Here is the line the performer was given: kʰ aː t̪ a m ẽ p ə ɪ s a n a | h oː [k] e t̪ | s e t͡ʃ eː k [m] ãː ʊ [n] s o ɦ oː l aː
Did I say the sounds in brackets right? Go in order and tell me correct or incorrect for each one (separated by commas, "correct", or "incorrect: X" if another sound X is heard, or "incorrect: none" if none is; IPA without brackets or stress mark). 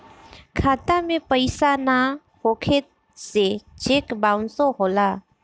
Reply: incorrect: kʰ, incorrect: b, correct